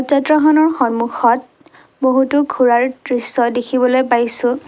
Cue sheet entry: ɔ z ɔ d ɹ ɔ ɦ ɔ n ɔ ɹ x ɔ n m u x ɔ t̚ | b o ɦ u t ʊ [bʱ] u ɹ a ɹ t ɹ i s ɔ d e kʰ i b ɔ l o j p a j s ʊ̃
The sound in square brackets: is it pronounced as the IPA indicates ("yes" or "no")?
no